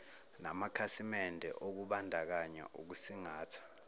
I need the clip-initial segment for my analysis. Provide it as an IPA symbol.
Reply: n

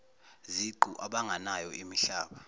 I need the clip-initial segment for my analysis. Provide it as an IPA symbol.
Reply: z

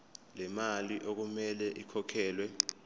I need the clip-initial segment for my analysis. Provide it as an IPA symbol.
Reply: l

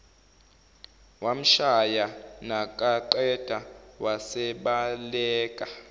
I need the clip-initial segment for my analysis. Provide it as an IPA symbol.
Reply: w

